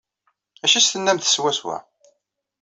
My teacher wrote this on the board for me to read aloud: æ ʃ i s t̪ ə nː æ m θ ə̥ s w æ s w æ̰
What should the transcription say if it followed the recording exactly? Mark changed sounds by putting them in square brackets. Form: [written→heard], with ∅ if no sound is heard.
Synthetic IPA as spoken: æ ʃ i s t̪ ə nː æ m θ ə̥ s w æ s w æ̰

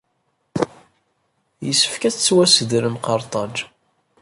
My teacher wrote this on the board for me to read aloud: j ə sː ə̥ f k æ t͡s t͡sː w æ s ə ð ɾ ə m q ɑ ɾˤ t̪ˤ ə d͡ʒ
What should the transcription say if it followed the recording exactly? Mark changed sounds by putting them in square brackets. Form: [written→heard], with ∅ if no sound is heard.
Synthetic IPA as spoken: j ə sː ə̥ f k æ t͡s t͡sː w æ s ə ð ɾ ə m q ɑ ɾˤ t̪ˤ [ə→ɑ] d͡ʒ

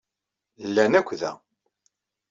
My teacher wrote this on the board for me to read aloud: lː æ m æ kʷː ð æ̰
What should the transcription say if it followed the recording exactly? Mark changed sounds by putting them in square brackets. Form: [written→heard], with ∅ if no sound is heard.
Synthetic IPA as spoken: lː æ [m→n] æ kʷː ð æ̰

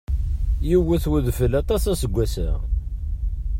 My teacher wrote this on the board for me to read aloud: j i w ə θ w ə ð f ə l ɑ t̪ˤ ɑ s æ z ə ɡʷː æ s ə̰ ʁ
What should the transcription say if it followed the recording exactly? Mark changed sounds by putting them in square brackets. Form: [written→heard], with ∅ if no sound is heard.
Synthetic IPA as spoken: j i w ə θ w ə ð f ə l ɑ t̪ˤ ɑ s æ [z→s] ə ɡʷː æ s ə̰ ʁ

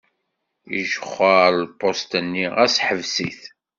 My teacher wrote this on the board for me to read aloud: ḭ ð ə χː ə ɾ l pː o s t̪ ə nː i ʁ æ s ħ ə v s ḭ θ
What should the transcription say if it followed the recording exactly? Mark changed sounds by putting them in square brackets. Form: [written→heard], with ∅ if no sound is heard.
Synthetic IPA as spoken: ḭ [ð→ʒ] ə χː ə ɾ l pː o s t̪ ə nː i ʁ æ s ħ ə v s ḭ θ

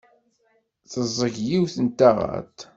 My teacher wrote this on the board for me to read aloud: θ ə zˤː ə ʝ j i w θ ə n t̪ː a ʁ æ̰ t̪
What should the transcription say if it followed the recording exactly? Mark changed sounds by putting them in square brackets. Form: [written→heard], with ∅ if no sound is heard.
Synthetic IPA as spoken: θ ə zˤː ə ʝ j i w θ ə n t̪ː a ʁ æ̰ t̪

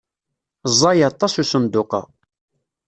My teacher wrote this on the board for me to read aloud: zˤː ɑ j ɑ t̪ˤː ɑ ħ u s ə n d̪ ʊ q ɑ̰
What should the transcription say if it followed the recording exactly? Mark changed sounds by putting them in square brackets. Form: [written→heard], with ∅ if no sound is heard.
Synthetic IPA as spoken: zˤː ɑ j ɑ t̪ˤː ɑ [ħ→s] u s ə n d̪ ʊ q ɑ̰

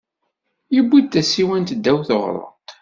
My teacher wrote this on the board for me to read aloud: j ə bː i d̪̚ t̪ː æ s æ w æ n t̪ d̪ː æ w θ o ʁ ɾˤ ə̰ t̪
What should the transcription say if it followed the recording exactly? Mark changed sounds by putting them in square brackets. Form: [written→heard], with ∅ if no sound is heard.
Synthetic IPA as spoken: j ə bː i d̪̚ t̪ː æ s [æ→i] w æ n t̪ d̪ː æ w θ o ʁ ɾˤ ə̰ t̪

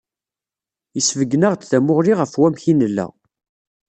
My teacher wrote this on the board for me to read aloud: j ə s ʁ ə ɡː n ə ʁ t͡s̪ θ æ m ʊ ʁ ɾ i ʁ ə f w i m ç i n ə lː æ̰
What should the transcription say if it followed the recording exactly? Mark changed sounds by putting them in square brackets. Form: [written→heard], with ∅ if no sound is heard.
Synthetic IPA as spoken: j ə s [ʁ→v] ə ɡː n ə ʁ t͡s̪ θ æ m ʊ ʁ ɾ i ʁ ə f w [i→æ] m ç i n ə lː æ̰

